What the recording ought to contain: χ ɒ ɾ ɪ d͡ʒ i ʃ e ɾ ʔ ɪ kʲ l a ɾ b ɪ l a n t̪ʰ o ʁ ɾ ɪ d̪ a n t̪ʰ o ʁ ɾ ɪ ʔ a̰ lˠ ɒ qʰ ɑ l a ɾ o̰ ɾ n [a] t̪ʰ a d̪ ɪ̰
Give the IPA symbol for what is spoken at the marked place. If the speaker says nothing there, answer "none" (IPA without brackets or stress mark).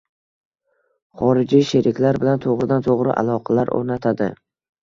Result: a